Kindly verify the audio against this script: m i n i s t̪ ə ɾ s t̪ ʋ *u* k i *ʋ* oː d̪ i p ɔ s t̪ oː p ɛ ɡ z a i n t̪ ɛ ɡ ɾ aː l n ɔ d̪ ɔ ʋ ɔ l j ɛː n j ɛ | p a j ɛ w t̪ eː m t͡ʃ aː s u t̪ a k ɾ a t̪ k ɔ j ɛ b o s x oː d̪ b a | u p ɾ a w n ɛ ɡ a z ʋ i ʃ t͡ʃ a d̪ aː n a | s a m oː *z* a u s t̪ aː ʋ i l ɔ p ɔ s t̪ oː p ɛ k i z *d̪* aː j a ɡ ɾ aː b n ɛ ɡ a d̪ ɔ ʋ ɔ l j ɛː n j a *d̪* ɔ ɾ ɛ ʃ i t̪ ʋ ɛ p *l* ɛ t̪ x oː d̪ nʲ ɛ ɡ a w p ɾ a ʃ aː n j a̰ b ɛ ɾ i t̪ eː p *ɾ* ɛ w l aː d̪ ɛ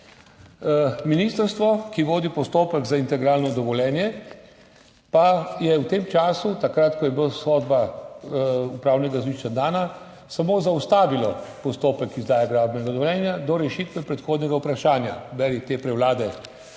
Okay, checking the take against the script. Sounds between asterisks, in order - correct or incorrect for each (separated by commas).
incorrect, correct, correct, correct, correct, incorrect, correct